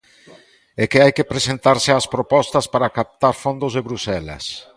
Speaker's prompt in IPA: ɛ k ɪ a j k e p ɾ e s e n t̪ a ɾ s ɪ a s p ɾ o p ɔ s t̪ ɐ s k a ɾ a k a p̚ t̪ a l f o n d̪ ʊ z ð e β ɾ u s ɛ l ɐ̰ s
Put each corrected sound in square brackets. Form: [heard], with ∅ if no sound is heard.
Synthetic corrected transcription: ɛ k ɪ a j k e p ɾ e s e n t̪ a ɾ s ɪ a s p ɾ o p ɔ s t̪ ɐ s [p] a ɾ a k a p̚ t̪ a [ɾ] f o n d̪ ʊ z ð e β ɾ u s ɛ l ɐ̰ s

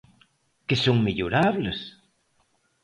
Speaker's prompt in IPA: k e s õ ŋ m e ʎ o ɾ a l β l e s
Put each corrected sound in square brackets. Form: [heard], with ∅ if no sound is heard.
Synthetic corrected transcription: k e s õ ŋ m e ʎ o ɾ a [∅] β l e s

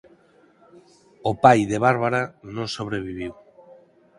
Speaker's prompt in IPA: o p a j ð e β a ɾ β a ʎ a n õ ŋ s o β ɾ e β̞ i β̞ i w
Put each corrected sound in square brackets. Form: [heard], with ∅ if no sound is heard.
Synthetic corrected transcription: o p a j ð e β a ɾ β a [ɾ] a n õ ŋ s o β ɾ e β̞ i β̞ i w

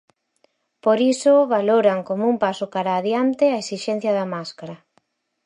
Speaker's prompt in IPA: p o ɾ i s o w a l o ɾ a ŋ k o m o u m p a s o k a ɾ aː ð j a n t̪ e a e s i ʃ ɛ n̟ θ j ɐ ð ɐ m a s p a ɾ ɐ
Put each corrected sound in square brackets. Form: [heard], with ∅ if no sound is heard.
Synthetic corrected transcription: p o ɾ i s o [β] a l o ɾ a ŋ k o m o u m p a s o k a ɾ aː ð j a n t̪ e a e s i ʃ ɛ n̟ θ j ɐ ð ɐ m a s [k] a ɾ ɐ

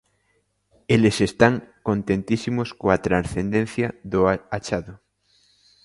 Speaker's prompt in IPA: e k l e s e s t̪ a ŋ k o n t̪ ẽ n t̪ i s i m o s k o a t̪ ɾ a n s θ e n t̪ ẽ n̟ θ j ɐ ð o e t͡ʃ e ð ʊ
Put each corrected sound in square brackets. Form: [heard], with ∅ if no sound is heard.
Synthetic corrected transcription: e [∅] l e s e s t̪ a ŋ k o n t̪ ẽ n t̪ i s i m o s k o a t̪ ɾ a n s θ e n [d̪] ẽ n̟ θ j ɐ ð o [a] t͡ʃ [a] ð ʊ

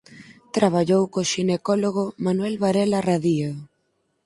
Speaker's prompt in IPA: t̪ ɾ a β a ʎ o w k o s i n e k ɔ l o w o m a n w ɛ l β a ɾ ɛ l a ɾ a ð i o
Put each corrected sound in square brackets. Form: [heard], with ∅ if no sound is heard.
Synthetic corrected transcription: t̪ ɾ a β a ʎ o w k o [ʃ] i n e k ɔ l o [ɣ] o m a n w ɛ l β a ɾ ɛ l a [r] a ð i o

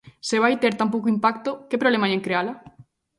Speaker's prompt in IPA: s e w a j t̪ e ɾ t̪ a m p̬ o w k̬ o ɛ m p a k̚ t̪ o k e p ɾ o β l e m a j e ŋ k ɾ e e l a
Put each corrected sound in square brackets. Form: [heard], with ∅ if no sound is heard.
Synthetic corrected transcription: s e [β] a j t̪ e ɾ t̪ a m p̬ o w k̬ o [i] m p a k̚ t̪ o k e p ɾ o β l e m a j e ŋ k ɾ e [a] l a

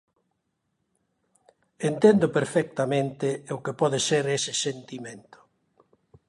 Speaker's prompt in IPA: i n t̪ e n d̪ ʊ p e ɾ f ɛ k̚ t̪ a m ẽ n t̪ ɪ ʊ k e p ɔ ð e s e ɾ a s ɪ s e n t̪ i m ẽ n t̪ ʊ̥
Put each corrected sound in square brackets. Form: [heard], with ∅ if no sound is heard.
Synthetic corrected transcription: [e] n t̪ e n d̪ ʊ p e ɾ f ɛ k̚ t̪ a m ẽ n t̪ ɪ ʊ k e p ɔ ð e s e ɾ [e] s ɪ s e n t̪ i m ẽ n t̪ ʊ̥

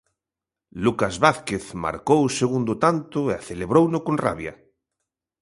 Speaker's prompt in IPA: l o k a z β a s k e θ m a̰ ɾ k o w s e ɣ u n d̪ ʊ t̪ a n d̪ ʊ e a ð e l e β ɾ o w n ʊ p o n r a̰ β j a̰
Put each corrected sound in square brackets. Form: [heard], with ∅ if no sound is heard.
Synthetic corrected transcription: l [u] k a z β a [θ] k e θ m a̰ ɾ k o w s e ɣ u n d̪ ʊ t̪ a n [t̪] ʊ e a [θ] e l e β ɾ o w n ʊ [k] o n r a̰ β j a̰

